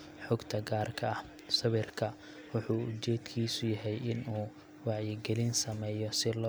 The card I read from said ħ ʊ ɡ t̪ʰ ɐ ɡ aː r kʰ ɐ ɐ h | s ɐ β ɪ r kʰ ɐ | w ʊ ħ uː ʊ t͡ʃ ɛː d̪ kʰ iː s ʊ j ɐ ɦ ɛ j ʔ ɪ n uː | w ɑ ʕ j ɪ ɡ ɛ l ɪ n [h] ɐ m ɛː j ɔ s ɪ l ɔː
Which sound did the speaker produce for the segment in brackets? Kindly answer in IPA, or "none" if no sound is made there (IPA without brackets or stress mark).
s